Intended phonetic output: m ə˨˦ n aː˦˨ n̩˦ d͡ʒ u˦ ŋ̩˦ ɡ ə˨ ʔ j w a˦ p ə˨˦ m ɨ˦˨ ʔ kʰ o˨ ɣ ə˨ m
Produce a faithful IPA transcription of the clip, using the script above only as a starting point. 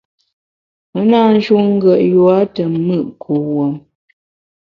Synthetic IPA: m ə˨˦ n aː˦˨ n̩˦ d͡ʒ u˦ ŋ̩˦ ɡ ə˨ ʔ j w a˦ t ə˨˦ m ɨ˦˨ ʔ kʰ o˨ w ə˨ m